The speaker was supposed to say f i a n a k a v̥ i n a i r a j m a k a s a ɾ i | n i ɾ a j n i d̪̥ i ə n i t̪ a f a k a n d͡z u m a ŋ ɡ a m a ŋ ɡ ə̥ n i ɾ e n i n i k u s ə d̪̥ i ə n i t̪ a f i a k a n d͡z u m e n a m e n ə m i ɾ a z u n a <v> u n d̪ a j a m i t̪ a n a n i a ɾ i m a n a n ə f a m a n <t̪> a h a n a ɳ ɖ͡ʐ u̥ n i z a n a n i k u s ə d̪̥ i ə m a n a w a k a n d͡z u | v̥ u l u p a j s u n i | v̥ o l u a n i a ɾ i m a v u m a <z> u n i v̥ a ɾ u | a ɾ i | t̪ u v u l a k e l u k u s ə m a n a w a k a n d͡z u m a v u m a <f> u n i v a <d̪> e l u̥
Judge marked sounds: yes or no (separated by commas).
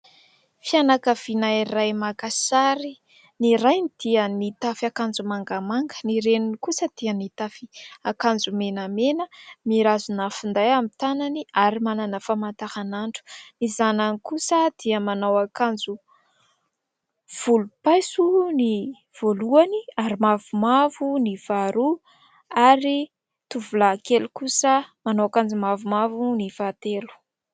no, yes, no, no, no